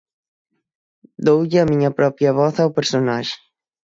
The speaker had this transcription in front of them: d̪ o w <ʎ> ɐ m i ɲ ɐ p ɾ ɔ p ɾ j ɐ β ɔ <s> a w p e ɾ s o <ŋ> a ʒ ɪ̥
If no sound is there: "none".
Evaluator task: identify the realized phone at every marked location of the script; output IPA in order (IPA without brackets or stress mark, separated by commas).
ʎ, θ, n